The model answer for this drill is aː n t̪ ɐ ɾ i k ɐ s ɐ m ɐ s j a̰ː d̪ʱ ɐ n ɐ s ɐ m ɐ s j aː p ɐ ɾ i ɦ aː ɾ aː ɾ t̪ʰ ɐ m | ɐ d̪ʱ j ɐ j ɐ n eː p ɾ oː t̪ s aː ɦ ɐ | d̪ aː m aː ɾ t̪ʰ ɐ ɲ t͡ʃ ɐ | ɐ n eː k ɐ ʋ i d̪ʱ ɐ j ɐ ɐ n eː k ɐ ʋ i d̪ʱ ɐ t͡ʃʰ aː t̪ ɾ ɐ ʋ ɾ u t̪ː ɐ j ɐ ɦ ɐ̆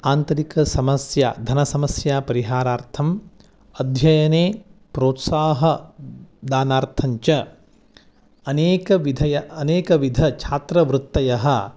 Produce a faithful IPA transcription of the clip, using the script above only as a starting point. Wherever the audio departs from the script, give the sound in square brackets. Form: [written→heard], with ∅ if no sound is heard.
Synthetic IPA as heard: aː n t̪ ɐ ɾ i k ɐ s ɐ m ɐ s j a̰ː d̪ʱ ɐ n ɐ s ɐ m ɐ s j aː p ɐ ɾ i ɦ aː ɾ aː ɾ t̪ʰ ɐ m | ɐ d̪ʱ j ɐ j ɐ n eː p ɾ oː t̪ s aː ɦ ɐ | d̪ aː [m→n] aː ɾ t̪ʰ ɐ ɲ t͡ʃ ɐ | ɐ n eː k ɐ ʋ i d̪ʱ ɐ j ɐ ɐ n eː k ɐ ʋ i d̪ʱ ɐ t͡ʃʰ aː t̪ ɾ ɐ ʋ ɾ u t̪ː ɐ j ɐ ɦ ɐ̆